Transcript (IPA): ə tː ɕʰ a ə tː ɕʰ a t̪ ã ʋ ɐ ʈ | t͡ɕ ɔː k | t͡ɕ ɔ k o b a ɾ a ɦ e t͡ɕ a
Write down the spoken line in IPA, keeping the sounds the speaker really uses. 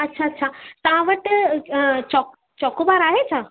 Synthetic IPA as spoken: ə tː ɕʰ a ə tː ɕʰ a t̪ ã ʋ ə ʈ | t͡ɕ ɔ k | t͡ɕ ɔ k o b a ɾ a ɦ e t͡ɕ a